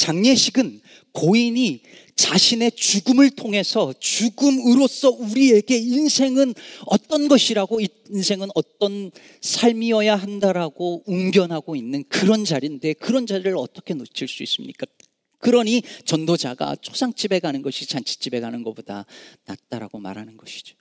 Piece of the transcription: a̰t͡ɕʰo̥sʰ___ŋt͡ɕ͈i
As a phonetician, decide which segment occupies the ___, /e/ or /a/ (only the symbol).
a